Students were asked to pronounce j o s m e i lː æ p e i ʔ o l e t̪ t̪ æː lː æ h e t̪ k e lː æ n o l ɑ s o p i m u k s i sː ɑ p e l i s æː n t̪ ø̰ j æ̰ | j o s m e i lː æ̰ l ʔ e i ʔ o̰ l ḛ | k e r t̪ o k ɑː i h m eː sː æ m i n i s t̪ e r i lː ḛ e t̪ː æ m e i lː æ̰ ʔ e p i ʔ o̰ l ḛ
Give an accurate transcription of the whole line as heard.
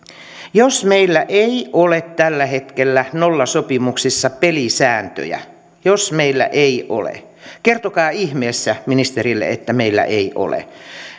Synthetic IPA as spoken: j o s m e i lː æ ʔ e i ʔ o l e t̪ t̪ æ lː æ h e t̪ k e lː æ n o lː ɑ s o p i m u k s i sː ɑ p e l i s æː n t̪ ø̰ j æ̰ | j o s m e i lː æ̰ ʔ e i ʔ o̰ l ḛ | k e r t̪ o k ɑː i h m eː sː æ m i n i s t̪ e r i lː ḛ e t̪ː æ m e i lː æ̰ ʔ e i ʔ o̰ l ḛ